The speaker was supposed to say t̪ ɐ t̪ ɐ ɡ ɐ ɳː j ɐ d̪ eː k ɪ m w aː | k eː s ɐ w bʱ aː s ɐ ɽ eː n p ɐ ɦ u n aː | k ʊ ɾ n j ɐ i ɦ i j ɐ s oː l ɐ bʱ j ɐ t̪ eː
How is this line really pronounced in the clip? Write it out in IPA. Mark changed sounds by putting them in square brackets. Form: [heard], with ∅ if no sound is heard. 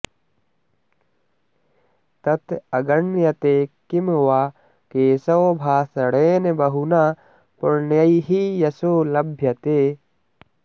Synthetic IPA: t̪ ɐ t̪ ɐ ɡ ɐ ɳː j ɐ [t̪] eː k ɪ m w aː | k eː s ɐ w bʱ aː s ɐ ɽ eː n [b] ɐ ɦ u n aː | [p] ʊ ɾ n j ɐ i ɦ i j ɐ s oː l ɐ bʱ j ɐ t̪ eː